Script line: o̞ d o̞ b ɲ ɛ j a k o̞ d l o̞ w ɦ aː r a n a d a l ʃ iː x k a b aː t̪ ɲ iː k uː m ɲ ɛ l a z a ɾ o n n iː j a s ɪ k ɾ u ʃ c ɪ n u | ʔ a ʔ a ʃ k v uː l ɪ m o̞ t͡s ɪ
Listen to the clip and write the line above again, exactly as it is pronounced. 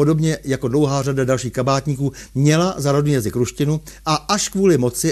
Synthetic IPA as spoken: o̞ d o̞ b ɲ ɛ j a k o̞ d l o̞ w ɦ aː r a d a d a l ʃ iː x k a b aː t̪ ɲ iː k uː m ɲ ɛ l a z a ɾ o d n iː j a z ɪ k ɾ u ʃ c ɪ n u | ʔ a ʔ a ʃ k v uː l ɪ m o̞ t͡s ɪ